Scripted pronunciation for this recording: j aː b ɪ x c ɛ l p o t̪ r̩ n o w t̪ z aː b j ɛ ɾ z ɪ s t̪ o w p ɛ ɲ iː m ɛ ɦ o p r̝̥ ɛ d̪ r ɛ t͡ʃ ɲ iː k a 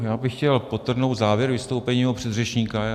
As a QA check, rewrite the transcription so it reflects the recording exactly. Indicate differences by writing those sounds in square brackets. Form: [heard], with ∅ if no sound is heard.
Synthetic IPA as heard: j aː b ɪ x c ɛ l p o t̪ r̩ n o w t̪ z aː [v] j ɛ ɾ [v] ɪ s t̪ o w p ɛ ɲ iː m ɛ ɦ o p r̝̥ ɛ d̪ r ɛ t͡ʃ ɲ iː k a